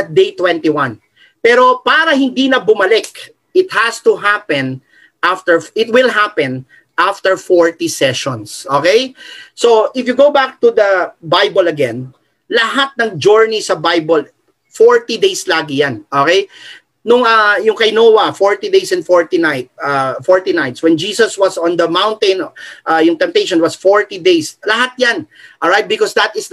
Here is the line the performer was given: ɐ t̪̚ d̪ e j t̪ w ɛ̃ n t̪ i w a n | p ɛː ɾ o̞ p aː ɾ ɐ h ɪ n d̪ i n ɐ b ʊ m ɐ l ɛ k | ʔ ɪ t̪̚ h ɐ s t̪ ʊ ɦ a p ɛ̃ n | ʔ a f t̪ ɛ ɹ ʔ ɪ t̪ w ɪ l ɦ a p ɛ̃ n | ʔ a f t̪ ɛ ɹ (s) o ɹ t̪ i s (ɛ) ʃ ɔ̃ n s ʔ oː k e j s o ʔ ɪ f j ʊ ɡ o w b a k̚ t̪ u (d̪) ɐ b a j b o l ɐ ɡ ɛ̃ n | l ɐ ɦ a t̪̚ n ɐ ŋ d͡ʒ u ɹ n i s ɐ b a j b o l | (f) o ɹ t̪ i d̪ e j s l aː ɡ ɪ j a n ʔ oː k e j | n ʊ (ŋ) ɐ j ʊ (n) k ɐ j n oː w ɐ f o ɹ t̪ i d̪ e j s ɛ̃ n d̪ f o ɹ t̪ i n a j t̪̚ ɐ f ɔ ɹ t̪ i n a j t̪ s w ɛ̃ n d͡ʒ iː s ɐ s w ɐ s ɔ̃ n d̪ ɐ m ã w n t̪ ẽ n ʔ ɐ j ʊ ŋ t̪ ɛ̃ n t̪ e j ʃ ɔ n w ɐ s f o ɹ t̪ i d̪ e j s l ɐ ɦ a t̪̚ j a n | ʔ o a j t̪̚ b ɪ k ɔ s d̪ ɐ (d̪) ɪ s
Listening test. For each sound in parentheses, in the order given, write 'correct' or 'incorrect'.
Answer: incorrect: f, correct, correct, correct, correct, incorrect: ŋ, incorrect: t̪

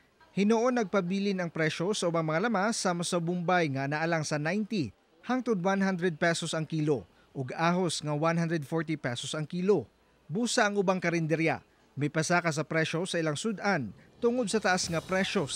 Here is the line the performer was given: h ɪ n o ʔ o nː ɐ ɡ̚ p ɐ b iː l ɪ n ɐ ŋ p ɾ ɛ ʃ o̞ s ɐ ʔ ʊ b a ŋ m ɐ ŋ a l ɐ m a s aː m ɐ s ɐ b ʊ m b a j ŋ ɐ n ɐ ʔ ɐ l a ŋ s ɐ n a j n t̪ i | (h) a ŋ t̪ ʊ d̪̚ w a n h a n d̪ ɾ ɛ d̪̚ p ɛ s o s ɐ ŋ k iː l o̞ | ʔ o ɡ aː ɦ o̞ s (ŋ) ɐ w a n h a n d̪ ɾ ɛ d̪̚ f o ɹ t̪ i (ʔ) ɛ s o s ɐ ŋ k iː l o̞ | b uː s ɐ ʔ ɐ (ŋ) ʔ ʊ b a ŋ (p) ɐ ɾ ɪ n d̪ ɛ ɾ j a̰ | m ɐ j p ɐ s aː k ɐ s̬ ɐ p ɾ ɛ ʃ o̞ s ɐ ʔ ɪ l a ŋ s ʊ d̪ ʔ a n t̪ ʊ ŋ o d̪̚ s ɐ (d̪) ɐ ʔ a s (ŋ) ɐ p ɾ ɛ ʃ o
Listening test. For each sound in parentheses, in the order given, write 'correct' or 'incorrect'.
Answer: correct, correct, incorrect: p, correct, incorrect: k, incorrect: t̪, correct

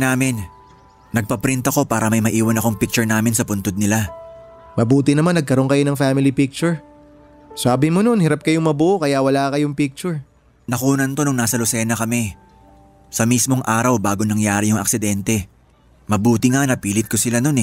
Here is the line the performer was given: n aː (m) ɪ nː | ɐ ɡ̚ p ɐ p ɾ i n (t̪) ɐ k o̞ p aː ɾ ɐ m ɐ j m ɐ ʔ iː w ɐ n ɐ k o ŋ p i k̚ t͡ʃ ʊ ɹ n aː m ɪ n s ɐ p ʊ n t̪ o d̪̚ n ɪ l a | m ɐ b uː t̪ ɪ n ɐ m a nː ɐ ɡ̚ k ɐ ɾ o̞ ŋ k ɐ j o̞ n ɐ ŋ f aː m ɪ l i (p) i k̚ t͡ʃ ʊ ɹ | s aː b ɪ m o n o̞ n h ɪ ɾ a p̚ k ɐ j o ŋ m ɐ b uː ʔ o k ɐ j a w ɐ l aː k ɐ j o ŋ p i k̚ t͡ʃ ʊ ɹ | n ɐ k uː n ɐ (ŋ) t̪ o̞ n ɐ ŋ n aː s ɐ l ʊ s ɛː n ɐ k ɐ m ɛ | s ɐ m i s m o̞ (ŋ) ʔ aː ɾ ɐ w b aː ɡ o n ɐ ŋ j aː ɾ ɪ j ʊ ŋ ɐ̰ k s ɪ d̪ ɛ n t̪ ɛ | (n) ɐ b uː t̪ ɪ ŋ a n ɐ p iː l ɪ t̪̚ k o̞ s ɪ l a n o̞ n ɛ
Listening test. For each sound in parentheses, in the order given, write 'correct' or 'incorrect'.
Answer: correct, correct, correct, incorrect: n, correct, incorrect: m

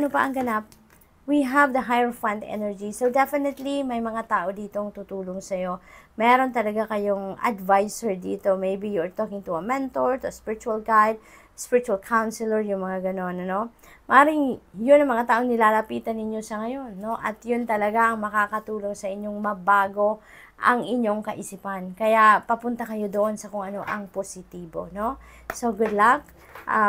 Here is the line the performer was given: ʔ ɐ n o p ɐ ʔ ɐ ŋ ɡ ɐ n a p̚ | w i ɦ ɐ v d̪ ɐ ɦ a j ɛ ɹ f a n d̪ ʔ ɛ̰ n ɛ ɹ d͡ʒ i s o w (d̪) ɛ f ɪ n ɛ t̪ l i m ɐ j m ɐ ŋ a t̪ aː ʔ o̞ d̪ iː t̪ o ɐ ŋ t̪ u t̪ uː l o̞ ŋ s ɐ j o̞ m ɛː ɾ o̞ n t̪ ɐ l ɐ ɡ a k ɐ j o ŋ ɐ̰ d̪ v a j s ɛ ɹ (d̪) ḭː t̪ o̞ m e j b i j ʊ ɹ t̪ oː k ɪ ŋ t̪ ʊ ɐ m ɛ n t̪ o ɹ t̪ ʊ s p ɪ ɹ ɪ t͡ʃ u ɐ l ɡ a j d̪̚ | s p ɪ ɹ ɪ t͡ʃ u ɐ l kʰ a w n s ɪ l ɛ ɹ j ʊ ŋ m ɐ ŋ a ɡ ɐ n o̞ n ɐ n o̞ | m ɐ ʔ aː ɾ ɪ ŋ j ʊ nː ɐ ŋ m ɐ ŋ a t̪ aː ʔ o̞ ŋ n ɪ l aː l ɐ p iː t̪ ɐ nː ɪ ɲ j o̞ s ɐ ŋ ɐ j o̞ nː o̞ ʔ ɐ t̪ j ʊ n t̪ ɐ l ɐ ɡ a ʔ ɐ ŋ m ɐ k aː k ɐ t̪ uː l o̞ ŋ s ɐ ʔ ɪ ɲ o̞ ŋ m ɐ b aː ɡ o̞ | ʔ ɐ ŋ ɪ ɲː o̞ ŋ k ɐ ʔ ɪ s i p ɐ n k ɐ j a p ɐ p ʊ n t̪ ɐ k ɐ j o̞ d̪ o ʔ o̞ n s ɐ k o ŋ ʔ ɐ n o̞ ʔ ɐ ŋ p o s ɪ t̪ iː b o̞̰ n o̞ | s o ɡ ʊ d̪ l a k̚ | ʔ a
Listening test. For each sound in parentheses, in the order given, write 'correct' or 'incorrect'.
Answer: correct, correct

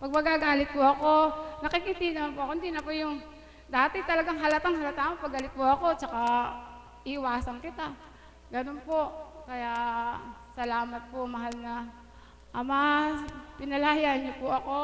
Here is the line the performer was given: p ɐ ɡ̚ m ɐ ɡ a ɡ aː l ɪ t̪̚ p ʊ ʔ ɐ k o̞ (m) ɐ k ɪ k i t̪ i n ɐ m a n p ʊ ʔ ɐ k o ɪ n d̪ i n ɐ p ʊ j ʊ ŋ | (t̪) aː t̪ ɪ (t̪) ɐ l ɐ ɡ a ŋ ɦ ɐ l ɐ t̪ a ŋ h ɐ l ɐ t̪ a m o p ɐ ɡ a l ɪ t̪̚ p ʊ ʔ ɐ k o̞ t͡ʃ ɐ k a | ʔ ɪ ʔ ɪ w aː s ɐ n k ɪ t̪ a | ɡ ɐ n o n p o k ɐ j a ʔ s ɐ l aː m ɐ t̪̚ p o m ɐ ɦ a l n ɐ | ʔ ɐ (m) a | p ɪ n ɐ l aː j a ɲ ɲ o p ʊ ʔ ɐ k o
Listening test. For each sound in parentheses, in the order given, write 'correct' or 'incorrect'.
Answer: incorrect: n, incorrect: d̪, correct, correct

